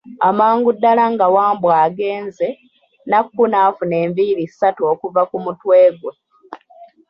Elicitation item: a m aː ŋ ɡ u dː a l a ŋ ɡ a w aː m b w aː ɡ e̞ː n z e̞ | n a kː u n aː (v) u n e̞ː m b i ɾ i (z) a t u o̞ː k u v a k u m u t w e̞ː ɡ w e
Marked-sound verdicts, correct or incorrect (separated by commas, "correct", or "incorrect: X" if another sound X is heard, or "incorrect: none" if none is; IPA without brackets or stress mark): incorrect: f, incorrect: s